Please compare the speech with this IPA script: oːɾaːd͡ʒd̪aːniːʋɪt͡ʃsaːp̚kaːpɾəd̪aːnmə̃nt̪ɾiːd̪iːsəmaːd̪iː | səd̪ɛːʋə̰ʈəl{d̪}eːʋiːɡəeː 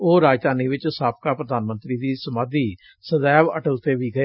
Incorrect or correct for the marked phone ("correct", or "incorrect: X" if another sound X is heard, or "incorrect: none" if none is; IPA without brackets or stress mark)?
incorrect: t̪